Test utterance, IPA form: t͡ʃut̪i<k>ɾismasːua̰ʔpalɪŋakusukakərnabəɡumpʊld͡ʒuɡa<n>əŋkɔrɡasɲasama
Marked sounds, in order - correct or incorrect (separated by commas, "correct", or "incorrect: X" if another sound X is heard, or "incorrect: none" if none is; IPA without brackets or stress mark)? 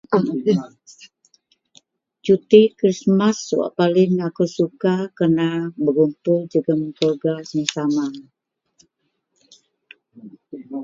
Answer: correct, incorrect: m